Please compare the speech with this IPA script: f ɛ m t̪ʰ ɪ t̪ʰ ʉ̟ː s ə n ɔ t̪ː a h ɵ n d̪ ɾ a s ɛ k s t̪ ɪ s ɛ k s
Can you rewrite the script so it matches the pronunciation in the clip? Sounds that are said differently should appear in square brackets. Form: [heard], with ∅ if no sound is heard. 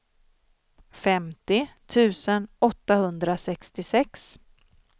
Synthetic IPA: f ɛ m [t̪] ɪ t̪ʰ ʉ̟ː s ə n ɔ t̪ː a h ɵ n d̪ ɾ a s ɛ k s t̪ ɪ s ɛ k s